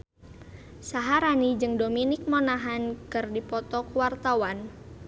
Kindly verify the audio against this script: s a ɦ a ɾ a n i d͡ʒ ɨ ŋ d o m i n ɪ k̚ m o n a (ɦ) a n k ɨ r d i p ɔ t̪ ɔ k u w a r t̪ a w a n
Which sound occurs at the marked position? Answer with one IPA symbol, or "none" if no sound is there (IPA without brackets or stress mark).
ɦ